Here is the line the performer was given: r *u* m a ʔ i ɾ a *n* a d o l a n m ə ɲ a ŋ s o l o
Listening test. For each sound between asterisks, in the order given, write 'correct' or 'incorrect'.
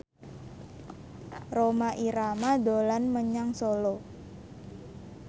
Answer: incorrect, incorrect

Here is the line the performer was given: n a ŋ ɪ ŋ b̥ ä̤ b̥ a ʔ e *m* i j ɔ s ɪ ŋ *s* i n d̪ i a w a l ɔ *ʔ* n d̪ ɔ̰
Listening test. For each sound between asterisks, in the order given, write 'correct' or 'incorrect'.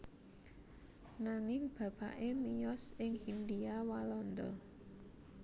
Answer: correct, incorrect, incorrect

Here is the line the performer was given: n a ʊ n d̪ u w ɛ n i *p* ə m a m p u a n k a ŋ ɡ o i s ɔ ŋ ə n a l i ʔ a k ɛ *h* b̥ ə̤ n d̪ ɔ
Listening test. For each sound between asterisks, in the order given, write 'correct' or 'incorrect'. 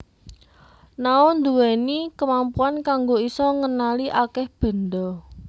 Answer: incorrect, correct

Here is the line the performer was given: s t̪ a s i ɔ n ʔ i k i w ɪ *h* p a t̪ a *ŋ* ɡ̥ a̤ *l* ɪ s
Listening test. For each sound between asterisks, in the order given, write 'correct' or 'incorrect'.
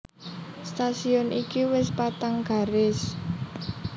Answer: incorrect, correct, incorrect

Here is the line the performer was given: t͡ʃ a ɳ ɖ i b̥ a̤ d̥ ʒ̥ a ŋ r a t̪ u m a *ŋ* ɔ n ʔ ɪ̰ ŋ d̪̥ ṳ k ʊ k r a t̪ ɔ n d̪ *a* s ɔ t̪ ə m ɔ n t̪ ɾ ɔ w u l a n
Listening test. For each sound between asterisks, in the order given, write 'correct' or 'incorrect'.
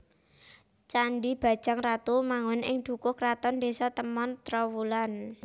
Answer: correct, incorrect

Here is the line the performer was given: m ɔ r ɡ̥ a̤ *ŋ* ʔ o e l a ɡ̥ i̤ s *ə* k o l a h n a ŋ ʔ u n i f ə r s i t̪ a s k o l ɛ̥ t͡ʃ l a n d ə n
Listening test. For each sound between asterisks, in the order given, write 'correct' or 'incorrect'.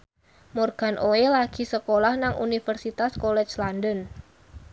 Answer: incorrect, correct

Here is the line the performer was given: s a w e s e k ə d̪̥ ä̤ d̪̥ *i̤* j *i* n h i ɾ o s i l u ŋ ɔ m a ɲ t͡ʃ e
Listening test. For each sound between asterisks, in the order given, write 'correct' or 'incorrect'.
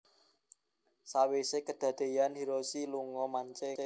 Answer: incorrect, incorrect

